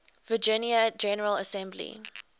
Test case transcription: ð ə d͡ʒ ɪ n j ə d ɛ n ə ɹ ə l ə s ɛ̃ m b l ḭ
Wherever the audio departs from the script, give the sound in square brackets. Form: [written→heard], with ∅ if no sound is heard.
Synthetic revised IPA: [ð→v] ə d͡ʒ ɪ n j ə [d→d͡ʒ] ɛ n ə ɹ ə l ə s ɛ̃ m b l ḭ